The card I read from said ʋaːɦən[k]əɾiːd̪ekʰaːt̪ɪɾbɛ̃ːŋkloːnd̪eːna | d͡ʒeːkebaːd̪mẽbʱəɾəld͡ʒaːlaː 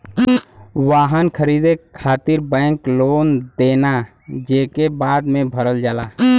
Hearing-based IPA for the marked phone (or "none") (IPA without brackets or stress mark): kʰ